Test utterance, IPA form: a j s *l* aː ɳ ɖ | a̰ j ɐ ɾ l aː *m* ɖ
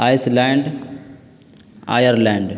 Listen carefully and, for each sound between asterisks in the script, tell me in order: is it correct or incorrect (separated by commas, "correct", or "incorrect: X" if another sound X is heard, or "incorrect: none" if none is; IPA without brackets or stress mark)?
correct, incorrect: ɳ